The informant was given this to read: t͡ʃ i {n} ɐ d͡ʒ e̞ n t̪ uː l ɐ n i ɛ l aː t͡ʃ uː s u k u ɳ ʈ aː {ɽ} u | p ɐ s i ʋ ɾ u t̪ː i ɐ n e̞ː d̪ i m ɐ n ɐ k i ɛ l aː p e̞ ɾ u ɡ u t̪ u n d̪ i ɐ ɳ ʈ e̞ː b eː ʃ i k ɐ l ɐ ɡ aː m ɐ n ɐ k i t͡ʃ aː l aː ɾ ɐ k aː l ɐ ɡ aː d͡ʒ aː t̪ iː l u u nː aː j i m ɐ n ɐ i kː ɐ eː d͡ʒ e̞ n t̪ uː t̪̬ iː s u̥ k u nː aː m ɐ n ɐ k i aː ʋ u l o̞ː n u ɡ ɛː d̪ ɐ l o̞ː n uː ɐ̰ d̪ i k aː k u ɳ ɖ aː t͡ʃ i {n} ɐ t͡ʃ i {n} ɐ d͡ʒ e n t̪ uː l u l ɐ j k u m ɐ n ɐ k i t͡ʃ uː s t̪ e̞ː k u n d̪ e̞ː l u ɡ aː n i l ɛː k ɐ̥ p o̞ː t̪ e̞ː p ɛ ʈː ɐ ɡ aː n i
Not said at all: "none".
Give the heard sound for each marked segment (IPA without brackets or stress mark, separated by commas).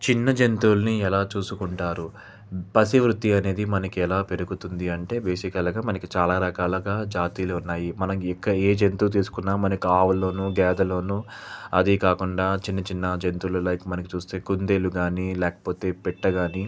nː, ɾ, nː, nː